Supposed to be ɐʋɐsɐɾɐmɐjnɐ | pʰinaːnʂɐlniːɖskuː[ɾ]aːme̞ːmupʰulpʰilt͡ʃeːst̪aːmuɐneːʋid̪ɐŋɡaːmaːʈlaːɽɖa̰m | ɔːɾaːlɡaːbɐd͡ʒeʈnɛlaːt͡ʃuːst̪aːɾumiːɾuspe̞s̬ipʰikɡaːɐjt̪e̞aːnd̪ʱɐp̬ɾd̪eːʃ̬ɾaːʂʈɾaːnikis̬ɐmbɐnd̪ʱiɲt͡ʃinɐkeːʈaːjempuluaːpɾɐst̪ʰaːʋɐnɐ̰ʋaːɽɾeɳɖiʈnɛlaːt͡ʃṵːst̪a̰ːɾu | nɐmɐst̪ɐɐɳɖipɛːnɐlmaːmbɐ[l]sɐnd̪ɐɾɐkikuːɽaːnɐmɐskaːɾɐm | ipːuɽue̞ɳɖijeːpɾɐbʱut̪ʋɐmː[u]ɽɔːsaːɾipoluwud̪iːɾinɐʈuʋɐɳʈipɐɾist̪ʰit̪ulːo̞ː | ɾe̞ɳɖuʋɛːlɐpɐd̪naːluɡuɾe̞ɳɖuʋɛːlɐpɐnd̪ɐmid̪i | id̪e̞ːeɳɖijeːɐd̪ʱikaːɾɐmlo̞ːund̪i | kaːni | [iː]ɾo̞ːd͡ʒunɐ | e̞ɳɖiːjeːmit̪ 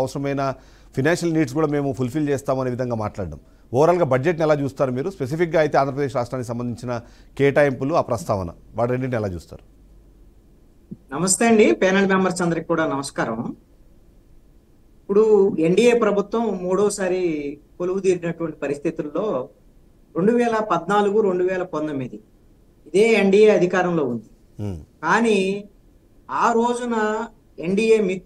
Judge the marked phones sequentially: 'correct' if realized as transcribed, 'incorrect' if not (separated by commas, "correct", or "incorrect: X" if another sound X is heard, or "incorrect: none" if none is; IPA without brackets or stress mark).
incorrect: ɽ, incorrect: ɾ, incorrect: uː, incorrect: aː